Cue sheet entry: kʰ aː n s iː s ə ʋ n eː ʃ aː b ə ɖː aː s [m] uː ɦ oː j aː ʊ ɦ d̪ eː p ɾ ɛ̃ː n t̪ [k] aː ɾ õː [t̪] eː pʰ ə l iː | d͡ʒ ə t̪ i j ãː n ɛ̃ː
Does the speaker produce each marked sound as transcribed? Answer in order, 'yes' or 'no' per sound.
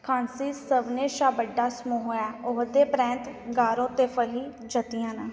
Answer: yes, no, yes

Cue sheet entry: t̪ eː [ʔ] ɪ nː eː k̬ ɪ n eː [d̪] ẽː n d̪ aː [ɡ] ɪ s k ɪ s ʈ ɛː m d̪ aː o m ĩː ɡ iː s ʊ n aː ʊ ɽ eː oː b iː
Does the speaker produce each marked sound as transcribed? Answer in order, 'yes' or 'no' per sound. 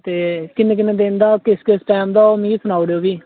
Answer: no, yes, no

